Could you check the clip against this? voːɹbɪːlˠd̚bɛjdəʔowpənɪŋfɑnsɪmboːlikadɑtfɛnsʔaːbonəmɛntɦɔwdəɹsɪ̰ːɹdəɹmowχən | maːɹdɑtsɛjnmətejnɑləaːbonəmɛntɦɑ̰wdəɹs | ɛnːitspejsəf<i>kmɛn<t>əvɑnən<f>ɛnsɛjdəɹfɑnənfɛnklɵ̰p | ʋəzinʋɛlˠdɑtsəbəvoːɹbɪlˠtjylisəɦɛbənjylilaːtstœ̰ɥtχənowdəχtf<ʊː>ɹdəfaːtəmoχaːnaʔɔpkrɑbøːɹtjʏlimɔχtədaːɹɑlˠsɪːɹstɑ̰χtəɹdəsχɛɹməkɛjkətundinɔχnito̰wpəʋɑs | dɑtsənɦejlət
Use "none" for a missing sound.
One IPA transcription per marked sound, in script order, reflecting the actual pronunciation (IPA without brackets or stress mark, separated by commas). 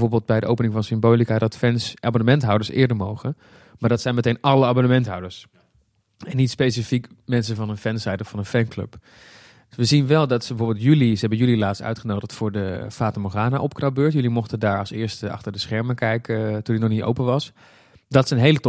i, s, f, ʊː